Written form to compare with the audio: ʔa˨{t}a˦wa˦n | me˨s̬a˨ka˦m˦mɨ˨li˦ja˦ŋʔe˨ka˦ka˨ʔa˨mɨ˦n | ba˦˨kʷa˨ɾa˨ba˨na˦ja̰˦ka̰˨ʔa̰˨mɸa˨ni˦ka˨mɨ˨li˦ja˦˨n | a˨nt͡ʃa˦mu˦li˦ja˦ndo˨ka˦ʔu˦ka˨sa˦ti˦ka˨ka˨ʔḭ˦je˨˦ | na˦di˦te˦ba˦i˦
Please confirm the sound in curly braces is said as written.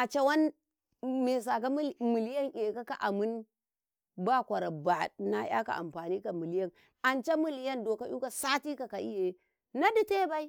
no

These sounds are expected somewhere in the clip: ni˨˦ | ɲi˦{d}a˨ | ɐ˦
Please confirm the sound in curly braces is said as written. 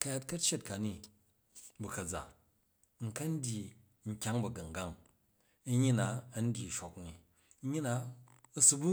no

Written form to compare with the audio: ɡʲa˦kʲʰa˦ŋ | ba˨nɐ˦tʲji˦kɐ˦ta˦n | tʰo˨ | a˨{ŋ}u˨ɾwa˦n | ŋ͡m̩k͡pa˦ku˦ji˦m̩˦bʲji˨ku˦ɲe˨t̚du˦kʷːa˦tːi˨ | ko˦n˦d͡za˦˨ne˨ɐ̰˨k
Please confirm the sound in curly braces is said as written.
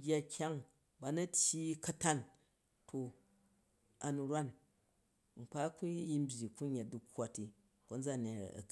no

